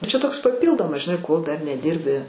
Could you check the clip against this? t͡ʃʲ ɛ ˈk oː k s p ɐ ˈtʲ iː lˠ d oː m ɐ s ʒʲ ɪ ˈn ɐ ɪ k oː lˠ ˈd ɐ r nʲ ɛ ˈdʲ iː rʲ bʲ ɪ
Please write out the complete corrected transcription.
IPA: t͡ʃʲ ɛ ˈt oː k s p ɐ ˈpʲ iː lˠ d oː m ɐ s ʒʲ ɪ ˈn ɐ ɪ k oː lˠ ˈd ɐ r nʲ ɛ ˈdʲ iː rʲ bʲ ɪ

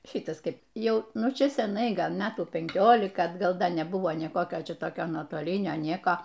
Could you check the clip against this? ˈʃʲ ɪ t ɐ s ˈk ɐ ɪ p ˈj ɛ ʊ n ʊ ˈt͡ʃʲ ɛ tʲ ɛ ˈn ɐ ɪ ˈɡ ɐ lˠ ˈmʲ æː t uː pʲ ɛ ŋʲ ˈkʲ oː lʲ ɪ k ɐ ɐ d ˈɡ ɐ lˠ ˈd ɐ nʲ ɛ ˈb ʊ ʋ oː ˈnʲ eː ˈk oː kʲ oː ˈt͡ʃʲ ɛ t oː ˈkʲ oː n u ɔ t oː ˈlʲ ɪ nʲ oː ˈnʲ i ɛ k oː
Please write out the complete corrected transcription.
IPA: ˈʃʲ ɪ t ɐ s ˈk ɐ ɪ p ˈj ɛ ʊ n ʊ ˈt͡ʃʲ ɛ sʲ ɛ ˈn ɐ ɪ ˈɡ ɐ lˠ ˈmʲ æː t uː pʲ ɛ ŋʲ ˈkʲ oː lʲ ɪ k ɐ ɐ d ˈɡ ɐ lˠ ˈd ɐ nʲ ɛ ˈb ʊ ʋ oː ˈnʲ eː ˈk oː kʲ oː ˈt͡ʃʲ ɛ t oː ˈkʲ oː n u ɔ t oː ˈlʲ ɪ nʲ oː ˈnʲ i ɛ k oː

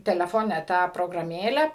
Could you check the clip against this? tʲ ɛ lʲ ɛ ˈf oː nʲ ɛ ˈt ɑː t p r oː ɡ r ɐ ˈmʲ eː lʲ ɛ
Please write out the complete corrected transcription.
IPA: tʲ ɛ lʲ ɛ ˈf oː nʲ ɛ ˈt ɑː p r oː ɡ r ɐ ˈmʲ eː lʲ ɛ

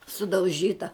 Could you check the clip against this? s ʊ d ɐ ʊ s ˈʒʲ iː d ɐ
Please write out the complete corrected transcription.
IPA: s ʊ d ɐ ʊ ˈʒʲ iː t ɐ

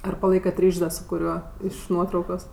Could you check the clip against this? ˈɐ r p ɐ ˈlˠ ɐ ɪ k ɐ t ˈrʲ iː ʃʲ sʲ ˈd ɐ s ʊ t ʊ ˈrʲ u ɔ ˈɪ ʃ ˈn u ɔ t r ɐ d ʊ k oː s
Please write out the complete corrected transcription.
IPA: ˈɐ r p ɐ ˈlˠ ɐ ɪ k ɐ t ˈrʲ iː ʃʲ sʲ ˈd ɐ s ʊ k ʊ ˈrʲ u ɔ ˈɪ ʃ ˈn u ɔ t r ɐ ʊ k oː s

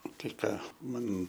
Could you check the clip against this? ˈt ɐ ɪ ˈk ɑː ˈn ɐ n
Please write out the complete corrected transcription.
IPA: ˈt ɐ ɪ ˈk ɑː ˈm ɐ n

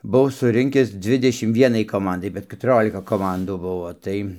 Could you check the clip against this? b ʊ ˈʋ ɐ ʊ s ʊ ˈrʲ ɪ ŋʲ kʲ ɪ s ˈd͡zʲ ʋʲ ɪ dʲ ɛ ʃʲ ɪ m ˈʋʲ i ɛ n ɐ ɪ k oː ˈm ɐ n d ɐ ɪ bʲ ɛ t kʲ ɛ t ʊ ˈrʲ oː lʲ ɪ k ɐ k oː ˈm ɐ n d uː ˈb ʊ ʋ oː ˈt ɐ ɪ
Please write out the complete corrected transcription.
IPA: b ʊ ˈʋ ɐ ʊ s ʊ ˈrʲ ɪ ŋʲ kʲ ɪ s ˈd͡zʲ ʋʲ ɪ dʲ ɛ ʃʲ ɪ m ˈʋʲ i ɛ n ɐ ɪ k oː ˈm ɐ n d ɐ ɪ bʲ ɛ t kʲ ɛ t ʊ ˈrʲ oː lʲ ɪ k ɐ k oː ˈm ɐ n d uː ˈb ʊ ʋ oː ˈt ɐ ɪ

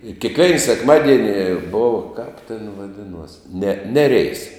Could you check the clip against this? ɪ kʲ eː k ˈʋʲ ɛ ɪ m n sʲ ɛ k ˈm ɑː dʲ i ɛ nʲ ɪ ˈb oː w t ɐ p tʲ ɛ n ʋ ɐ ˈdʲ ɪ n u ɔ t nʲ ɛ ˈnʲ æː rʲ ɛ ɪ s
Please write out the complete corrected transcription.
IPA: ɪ kʲ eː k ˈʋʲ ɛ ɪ n sʲ ɛ k ˈm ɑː dʲ i ɛ nʲ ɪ ˈb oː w k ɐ p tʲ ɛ n ʋ ɐ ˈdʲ ɪ n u ɔ s nʲ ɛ ˈnʲ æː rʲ ɛ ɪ s

